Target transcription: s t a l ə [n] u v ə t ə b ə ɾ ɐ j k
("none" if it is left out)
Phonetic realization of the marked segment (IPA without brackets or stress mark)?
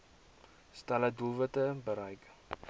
d